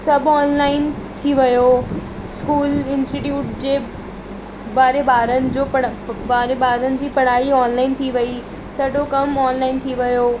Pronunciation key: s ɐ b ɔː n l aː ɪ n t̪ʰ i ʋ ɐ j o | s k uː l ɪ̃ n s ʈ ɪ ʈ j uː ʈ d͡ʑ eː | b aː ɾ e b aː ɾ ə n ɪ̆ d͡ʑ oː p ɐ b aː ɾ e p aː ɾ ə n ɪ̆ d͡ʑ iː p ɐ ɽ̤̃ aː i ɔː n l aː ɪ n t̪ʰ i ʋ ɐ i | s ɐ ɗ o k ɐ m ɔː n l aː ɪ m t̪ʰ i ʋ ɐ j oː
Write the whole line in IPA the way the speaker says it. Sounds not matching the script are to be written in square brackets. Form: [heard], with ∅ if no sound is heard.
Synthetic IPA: s ɐ b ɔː n l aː ɪ n t̪ʰ i ʋ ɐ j o | s k uː l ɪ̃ n s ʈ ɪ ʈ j uː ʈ d͡ʑ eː | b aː ɾ e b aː ɾ ə n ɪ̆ d͡ʑ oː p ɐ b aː ɾ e [b] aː ɾ ə n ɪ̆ d͡ʑ iː p ɐ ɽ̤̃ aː i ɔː n l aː ɪ n t̪ʰ i ʋ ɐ i | s ɐ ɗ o k ɐ m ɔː n l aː ɪ [n] t̪ʰ i ʋ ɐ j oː

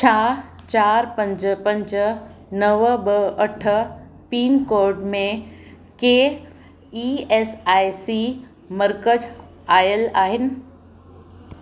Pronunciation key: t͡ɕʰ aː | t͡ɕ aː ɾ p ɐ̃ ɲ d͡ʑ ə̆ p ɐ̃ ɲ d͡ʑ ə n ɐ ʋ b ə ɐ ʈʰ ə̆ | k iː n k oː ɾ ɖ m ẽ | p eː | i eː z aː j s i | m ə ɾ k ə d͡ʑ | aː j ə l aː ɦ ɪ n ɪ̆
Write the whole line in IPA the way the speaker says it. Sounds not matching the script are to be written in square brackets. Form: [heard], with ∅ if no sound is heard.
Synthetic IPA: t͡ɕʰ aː | t͡ɕ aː ɾ p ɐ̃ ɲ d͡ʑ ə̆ p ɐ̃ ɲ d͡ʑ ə n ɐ ʋ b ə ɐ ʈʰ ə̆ | [p] iː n k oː ɾ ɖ m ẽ | [k] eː | i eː [s] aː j s i | m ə ɾ k ə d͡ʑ | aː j ə l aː ɦ ɪ n ɪ̆

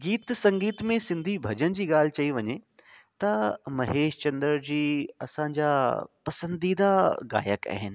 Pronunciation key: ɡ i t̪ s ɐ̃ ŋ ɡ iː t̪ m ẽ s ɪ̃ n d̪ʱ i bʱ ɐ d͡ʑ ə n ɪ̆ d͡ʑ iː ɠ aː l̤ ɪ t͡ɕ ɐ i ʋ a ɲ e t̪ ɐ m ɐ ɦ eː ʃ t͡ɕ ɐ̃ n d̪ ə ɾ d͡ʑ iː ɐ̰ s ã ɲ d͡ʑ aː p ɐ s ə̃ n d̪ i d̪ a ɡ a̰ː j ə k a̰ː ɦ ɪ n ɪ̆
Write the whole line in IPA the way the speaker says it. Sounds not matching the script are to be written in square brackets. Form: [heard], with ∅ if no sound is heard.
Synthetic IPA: ɡ [iː] t̪ s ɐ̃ ŋ ɡ iː t̪ m ẽ s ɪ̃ n d̪ʱ i bʱ ɐ d͡ʑ ə n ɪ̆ d͡ʑ iː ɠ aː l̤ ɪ t͡ɕ ɐ i ʋ [ɐ] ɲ e t̪ ɐ m ɐ ɦ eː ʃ t͡ɕ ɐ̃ n d̪ ə ɾ d͡ʑ iː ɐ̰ s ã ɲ d͡ʑ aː p ɐ s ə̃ n d̪ i d̪ a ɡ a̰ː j ə k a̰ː ɦ ɪ n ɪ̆

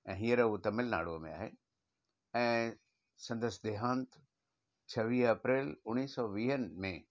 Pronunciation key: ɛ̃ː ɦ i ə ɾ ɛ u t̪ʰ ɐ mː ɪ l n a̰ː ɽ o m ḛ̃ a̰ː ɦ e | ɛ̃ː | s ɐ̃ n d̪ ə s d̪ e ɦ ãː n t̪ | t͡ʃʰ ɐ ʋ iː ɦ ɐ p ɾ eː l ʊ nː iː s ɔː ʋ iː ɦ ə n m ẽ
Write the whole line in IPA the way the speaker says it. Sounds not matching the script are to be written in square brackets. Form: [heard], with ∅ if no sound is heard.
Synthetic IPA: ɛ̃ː ɦ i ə ɾ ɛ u [t̪] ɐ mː ɪ l n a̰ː ɽ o m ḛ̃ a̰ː ɦ e | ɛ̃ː | s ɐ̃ n d̪ ə s d̪ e ɦ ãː n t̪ | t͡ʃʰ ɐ ʋ iː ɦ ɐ p ɾ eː l ʊ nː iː s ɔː ʋ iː ɦ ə n m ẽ

